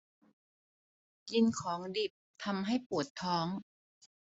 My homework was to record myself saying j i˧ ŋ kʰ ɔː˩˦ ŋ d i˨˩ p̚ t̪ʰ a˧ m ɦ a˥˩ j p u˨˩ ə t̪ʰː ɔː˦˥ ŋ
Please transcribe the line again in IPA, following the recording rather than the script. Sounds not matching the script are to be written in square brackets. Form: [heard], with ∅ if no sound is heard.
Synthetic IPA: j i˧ [n] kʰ ɔː˩˦ ŋ d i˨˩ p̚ t̪ʰ a˧ m ɦ a˥˩ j p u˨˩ ə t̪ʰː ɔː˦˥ ŋ